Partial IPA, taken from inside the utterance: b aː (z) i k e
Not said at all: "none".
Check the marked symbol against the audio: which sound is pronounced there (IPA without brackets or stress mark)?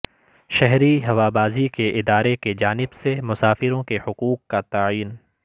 z